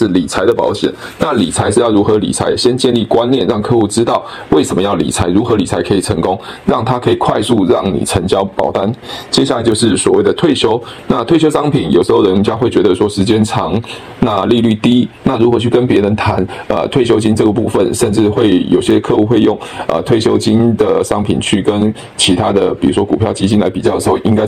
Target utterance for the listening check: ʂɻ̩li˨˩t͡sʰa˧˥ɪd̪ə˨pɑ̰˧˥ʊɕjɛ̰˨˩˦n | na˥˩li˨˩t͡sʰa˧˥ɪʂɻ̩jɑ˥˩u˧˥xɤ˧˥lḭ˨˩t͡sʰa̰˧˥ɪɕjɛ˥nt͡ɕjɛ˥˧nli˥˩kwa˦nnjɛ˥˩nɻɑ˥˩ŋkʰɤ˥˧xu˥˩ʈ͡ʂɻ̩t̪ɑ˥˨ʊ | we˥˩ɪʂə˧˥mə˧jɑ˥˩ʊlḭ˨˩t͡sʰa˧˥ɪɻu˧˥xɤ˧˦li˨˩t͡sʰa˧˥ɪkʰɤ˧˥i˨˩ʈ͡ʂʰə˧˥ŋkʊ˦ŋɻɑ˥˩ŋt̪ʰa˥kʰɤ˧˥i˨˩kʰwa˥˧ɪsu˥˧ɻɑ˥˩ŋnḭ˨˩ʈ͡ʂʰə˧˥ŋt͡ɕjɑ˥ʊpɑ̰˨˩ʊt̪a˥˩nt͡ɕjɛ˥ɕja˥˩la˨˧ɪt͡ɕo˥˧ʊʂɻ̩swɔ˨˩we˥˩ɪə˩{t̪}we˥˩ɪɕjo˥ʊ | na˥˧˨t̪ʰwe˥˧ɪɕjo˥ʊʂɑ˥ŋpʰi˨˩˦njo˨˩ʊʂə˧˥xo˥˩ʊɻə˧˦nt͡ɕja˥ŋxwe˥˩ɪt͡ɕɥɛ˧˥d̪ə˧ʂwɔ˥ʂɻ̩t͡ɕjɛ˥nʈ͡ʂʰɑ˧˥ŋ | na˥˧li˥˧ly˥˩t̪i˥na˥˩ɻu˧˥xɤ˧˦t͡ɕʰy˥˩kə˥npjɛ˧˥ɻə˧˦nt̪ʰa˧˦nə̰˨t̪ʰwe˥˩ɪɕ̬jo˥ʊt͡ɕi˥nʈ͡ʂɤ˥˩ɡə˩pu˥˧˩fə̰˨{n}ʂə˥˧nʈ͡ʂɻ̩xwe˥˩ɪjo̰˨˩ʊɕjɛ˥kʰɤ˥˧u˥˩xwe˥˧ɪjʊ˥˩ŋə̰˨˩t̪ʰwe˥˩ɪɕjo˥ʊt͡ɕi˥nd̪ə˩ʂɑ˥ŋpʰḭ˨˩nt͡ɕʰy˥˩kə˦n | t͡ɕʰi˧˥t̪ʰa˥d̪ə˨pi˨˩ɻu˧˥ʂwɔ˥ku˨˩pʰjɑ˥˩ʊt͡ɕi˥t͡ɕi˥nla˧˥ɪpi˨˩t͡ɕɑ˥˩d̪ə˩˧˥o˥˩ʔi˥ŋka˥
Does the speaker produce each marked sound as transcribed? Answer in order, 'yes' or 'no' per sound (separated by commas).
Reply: no, yes